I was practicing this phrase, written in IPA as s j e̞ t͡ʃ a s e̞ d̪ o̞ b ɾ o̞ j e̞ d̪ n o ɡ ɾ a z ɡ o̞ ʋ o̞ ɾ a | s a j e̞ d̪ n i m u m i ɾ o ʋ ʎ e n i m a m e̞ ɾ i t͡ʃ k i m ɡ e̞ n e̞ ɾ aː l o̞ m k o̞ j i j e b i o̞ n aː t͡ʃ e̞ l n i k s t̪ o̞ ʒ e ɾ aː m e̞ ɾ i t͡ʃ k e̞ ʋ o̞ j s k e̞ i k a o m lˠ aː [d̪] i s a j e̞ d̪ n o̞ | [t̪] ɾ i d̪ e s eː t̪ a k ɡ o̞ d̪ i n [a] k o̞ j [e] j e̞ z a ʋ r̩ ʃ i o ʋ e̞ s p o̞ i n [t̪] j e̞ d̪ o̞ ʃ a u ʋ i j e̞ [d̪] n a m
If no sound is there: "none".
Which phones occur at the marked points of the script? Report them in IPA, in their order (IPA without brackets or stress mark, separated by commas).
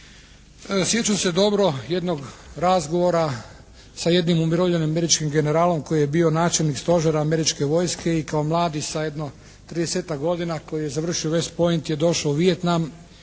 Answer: d̪, t̪, a, i, t̪, t̪